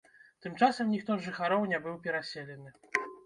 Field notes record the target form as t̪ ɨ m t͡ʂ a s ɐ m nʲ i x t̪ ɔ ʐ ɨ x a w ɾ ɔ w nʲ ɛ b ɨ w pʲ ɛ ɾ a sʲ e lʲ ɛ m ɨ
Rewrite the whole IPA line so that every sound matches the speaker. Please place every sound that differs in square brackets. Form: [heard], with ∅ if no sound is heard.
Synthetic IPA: t̪ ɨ m t͡ʂ a s ɐ m nʲ i x t̪ ɔ ʐ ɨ x a [∅] ɾ ɔ w nʲ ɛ b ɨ w pʲ ɛ ɾ a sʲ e lʲ ɛ [n] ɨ